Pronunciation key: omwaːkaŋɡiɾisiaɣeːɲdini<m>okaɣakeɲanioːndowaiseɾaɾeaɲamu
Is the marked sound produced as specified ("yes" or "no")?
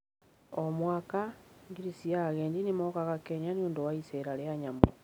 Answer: yes